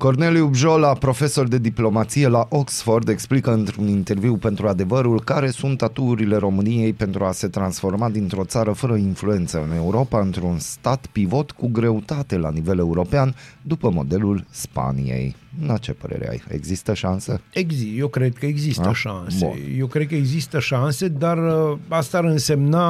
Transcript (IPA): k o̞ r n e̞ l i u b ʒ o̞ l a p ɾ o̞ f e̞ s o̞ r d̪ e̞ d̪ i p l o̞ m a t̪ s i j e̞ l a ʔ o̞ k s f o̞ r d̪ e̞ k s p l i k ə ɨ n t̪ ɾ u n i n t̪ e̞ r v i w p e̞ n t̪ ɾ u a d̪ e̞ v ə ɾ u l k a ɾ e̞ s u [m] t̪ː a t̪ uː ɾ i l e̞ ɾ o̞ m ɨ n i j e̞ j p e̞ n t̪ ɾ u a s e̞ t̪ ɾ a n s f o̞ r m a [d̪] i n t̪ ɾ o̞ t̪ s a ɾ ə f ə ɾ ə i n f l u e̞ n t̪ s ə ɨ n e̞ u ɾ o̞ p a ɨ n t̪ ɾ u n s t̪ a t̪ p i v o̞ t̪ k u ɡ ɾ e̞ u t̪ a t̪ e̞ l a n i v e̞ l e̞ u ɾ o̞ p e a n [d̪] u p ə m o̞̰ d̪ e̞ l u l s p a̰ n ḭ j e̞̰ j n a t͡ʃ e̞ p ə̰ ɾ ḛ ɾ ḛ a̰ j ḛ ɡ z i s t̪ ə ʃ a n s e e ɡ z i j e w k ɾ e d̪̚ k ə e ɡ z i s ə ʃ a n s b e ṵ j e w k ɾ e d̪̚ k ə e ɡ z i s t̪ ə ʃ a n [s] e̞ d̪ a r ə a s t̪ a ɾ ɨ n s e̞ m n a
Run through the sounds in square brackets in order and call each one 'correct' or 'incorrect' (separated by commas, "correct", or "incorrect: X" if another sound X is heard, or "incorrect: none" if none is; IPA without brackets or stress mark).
incorrect: n, correct, correct, correct